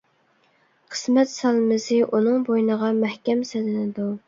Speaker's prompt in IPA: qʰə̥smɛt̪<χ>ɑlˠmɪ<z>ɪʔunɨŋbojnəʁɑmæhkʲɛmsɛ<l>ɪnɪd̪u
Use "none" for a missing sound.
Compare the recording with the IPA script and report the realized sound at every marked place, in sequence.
s, z, l

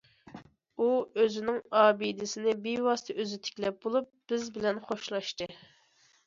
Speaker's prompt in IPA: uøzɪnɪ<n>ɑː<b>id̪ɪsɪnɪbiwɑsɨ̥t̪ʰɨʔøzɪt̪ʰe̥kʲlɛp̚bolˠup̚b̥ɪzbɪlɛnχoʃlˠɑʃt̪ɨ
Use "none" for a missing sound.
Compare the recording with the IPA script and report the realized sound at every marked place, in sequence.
ŋ, b

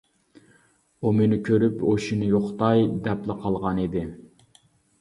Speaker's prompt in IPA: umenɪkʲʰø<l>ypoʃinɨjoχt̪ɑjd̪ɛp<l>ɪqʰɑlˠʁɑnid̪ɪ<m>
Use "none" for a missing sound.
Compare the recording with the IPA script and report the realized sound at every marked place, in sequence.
ɾ, l, none

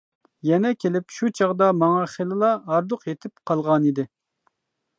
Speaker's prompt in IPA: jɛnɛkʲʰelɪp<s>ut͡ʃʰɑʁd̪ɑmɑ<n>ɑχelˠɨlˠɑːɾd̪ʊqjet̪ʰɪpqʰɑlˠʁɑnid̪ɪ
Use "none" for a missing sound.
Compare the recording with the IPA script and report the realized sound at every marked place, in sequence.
ʃ, ŋ

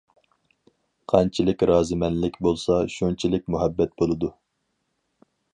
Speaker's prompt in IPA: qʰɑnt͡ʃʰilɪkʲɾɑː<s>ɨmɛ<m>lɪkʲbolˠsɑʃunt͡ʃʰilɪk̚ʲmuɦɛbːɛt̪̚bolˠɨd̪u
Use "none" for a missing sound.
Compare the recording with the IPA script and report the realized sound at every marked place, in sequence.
z, n

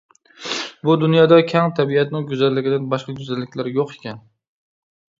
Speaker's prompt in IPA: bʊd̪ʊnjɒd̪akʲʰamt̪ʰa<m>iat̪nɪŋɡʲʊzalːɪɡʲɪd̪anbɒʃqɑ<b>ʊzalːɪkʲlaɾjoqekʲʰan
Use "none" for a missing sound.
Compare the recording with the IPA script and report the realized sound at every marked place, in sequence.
b, ɡ

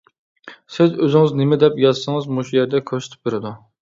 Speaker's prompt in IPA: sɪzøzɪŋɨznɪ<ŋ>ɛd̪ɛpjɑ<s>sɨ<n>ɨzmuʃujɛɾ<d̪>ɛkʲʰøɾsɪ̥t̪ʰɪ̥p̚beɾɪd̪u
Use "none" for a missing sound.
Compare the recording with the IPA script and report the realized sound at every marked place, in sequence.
m, z, ŋ, d̪

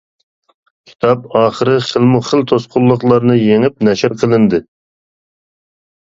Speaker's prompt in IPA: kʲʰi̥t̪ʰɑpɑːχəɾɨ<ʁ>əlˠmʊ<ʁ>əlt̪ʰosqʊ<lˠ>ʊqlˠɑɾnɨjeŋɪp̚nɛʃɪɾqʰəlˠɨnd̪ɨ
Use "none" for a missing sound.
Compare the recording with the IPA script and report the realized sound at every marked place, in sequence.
χ, χ, lˠː

